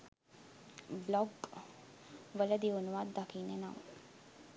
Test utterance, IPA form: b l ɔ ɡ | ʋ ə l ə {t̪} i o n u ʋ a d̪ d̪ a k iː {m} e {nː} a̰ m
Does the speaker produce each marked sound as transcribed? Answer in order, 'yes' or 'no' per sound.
no, no, no

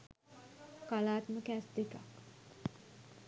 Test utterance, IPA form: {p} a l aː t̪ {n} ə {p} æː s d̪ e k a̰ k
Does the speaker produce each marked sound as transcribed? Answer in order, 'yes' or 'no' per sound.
no, no, no

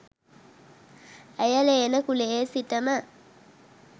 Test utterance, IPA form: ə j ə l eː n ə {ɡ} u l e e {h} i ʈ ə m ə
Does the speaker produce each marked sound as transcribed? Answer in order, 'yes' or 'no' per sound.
no, no

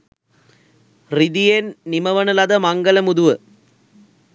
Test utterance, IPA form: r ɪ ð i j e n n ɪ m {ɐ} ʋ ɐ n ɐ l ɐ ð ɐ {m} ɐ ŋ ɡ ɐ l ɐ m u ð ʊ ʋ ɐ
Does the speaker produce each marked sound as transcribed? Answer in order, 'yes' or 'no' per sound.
yes, yes

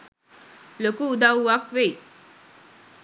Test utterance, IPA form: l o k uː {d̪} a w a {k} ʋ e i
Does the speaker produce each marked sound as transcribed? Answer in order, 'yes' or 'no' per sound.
yes, yes

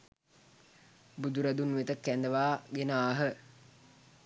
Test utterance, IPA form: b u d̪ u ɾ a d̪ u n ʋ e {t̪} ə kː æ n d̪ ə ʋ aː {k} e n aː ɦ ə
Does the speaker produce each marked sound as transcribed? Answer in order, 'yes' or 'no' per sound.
yes, no

